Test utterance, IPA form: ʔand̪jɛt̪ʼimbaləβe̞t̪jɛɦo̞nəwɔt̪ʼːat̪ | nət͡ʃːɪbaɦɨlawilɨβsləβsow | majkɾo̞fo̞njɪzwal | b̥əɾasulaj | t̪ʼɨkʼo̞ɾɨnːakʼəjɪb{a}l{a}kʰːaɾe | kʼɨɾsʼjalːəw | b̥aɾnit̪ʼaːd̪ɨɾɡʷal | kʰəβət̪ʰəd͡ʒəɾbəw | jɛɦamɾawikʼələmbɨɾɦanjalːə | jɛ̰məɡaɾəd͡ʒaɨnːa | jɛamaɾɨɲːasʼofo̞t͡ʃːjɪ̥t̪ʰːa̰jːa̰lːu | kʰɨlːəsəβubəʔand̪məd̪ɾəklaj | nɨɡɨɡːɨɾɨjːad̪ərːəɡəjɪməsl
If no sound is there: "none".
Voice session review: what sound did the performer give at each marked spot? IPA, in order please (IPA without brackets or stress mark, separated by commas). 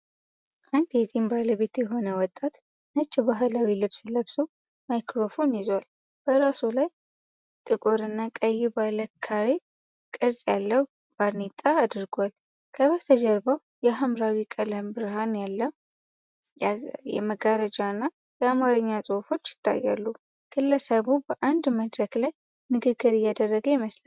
a, ə